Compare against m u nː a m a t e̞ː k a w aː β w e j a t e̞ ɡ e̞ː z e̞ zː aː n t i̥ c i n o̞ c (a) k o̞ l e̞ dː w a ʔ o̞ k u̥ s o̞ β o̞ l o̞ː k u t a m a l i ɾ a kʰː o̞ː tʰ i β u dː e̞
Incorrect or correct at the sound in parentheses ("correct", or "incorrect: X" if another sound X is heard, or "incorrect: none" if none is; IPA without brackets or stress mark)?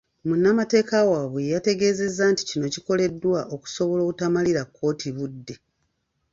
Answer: incorrect: i